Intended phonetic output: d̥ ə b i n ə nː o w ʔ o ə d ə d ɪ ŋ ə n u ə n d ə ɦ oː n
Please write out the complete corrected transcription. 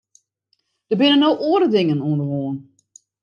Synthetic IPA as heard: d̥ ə b ɪ n ə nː o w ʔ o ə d ə d ɪ ŋ ə n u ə n d ə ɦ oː n

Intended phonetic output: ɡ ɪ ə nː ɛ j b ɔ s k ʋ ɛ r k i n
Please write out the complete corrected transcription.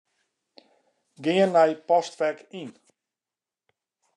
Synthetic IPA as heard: ɡ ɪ ə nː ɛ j p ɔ s t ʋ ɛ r k i n

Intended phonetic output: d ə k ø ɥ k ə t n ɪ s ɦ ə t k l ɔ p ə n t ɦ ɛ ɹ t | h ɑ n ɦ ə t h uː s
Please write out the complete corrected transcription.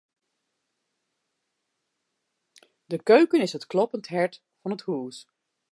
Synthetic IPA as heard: d ə k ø ɥ k ə n ɪ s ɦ ə t k l ɔ p ə n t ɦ ɛ ɹ t | f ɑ n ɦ ə t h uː s

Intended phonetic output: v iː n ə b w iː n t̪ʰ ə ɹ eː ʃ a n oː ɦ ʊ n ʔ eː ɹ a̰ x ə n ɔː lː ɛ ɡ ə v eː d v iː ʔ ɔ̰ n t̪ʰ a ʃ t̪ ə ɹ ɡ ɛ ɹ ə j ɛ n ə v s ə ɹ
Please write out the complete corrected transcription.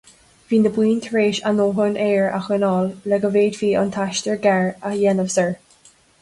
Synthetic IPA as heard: v iː n ə b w iː n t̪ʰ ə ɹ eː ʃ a n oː ɦ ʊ n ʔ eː ɹ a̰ x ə n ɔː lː ɛ ɡ ə v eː d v iː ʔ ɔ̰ n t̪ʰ a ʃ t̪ ə ɹ ɡ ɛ ɹ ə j ɛ n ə v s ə ɹ

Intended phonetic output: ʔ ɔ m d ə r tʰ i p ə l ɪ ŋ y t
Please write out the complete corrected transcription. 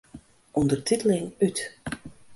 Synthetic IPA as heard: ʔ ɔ n d ə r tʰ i t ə l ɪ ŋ y t

